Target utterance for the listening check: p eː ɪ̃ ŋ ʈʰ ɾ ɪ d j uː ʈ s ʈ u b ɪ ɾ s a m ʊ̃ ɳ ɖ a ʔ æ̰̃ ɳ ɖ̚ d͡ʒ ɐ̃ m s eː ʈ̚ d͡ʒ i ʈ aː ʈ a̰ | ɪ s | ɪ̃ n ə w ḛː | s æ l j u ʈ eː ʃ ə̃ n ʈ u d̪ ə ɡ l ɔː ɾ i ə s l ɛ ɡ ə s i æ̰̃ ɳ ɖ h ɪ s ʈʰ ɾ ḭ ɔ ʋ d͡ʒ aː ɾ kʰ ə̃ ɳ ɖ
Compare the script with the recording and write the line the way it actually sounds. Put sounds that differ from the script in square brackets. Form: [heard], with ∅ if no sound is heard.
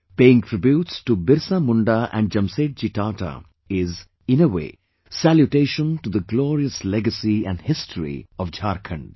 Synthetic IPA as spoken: p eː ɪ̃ ŋ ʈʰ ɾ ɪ [b] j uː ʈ s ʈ u b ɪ ɾ s a m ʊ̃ ɳ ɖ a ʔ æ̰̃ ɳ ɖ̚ d͡ʒ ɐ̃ m s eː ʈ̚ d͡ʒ i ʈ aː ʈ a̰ | ɪ [z] | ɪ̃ n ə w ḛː | s æ l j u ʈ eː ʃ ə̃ n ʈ u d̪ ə ɡ l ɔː ɾ i ə s l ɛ ɡ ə s i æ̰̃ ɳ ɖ h ɪ s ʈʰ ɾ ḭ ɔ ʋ d͡ʒ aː ɾ kʰ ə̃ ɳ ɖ

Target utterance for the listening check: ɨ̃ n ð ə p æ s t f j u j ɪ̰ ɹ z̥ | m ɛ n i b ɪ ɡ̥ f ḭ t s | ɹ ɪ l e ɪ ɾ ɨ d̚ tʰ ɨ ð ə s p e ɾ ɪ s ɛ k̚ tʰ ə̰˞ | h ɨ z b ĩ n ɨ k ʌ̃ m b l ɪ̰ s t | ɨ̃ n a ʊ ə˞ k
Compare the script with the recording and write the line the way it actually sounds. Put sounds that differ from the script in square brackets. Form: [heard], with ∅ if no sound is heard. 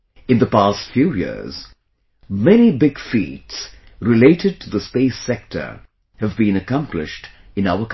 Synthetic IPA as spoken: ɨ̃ n ð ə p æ s t f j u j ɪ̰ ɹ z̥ | m ɛ n i b ɪ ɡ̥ f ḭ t s | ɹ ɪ l e ɪ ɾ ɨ d̚ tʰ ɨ ð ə s p e [∅] ɪ s ɛ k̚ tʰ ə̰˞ | h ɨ [v] b ĩ n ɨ k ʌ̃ m [p] l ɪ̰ [ʃ] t | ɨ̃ n a ʊ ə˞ k

